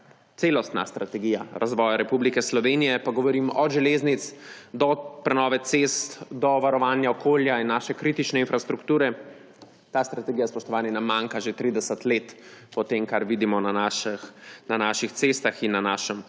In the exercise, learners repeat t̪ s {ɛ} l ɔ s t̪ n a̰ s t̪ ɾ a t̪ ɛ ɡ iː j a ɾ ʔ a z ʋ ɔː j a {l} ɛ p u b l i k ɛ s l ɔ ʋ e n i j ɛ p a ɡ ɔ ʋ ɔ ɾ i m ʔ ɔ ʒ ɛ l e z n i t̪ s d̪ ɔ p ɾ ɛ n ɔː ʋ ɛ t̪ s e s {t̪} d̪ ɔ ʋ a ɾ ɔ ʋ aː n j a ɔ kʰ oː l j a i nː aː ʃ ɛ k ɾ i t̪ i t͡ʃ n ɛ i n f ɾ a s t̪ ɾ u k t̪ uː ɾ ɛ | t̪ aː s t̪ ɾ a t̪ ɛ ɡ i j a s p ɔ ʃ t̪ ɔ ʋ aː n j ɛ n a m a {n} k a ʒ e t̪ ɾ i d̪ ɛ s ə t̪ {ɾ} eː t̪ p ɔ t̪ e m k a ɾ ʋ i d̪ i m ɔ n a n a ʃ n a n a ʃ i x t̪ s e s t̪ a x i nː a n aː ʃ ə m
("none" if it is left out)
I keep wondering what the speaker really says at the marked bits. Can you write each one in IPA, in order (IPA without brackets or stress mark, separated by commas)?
e, ɾ, t̪, ŋ, l